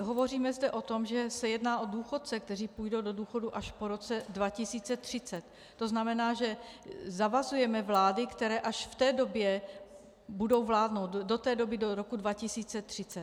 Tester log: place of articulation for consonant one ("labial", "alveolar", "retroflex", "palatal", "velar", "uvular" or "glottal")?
glottal